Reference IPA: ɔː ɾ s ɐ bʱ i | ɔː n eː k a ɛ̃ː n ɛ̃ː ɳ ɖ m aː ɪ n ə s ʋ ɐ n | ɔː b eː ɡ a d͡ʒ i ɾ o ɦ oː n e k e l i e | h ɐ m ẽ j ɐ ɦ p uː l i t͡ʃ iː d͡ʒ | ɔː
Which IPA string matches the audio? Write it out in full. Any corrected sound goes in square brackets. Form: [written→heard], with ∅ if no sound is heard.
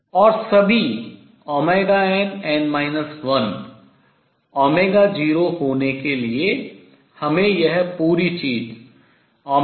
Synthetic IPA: ɔː ɾ s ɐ bʱ i | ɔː [n→m] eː [k→ɡ] a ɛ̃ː n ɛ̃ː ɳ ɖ m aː ɪ n ə s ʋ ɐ n | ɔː [b→m] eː ɡ a d͡ʒ [i→iː] ɾ o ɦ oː n e k e l i e | h ɐ m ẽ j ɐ ɦ p uː [l→ɾ] i t͡ʃ iː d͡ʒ | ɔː

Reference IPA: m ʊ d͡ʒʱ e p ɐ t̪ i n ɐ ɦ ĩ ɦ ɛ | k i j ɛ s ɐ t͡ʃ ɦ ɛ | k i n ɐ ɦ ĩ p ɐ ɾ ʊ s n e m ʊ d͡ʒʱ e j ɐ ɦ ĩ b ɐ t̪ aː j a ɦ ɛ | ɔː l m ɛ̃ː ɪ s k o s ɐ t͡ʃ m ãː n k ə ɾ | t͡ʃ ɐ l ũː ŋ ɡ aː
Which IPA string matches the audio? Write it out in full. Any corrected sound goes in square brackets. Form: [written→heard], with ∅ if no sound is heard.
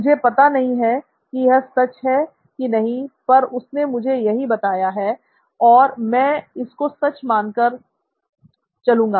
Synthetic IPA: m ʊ d͡ʒʱ e p ɐ t̪ [i→a] n ɐ ɦ ĩ ɦ ɛ | k i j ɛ s ɐ t͡ʃ ɦ ɛ | k i n ɐ ɦ ĩ p ɐ ɾ ʊ s n e m ʊ d͡ʒʱ e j ɐ ɦ [ĩ→i] b ɐ t̪ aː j a ɦ ɛ | ɔː [l→ɾ] m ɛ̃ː ɪ s k o s ɐ t͡ʃ m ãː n k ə ɾ | t͡ʃ ɐ l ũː ŋ ɡ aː

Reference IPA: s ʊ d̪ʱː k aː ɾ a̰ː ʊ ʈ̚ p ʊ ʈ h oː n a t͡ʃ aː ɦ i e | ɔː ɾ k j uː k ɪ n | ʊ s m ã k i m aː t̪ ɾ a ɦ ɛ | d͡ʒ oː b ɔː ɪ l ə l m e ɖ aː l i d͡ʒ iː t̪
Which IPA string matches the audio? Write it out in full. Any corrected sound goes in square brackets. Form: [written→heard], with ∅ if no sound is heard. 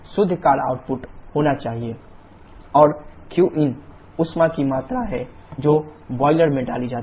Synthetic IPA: s ʊ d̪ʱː k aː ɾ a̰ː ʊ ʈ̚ p ʊ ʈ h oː n a t͡ʃ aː ɦ i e | ɔː ɾ k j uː [k→ʔ] ɪ n | ʊ s m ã k i m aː t̪ ɾ a ɦ ɛ | d͡ʒ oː b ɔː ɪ l ə [l→ɾ] m [e→ẽ] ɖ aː l i d͡ʒ [iː→aː] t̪

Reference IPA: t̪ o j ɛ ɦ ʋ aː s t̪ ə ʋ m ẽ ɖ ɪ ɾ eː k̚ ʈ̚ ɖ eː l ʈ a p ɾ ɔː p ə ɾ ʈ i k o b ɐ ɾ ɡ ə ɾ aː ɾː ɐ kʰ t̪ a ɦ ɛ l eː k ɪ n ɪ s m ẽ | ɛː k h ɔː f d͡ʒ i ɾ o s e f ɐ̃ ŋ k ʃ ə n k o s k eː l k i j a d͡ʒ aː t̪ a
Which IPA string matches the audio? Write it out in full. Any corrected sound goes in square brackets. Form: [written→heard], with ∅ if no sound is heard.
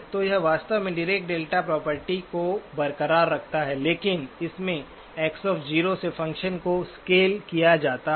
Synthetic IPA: t̪ o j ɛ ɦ ʋ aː s t̪ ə ʋ m ẽ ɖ ɪ ɾ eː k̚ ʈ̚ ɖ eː l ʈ a p ɾ ɔː p ə ɾ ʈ i k o b ɐ ɾ [ɡ→k] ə ɾ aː ɾː ɐ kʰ t̪ a ɦ ɛ l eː k ɪ n ɪ s m ẽ | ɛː k [h→s] ɔː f d͡ʒ [i→iː] ɾ o s e f ɐ̃ ŋ k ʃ ə n k o s k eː l k i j a d͡ʒ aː t̪ a

